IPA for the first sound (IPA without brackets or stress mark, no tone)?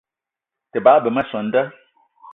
t